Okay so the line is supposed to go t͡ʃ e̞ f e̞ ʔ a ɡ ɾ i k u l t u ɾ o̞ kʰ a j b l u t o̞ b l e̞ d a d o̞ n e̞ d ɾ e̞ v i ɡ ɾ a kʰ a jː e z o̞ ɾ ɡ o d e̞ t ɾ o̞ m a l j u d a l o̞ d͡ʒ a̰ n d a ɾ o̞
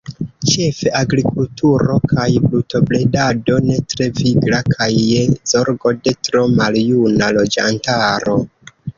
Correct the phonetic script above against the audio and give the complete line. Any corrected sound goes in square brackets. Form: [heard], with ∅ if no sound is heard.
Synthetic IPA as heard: t͡ʃ e̞ f e̞ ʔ a ɡ ɾ i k u l t u ɾ o̞ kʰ a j b l u t o̞ b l e̞ d a d o̞ n e̞ [t] ɾ e̞ v i ɡ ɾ a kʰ a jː e z o̞ ɾ ɡ o d e̞ t ɾ o̞ m a l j u [n] a l o̞ d͡ʒ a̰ n [t] a ɾ o̞